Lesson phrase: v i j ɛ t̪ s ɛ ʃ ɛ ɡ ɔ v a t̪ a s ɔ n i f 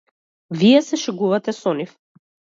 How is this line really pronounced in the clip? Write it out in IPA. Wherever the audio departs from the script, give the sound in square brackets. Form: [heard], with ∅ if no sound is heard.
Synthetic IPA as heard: v i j ɛ [∅] s ɛ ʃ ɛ ɡ [u] v a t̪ [ɛ] s ɔ n i f